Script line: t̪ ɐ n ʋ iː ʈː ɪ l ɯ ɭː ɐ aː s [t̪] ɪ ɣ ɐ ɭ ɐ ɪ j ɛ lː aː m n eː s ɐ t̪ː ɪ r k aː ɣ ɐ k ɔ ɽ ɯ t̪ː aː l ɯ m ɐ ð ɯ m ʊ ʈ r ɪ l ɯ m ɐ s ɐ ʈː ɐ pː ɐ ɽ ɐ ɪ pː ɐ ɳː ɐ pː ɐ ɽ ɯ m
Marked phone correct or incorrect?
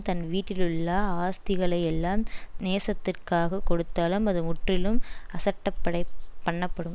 correct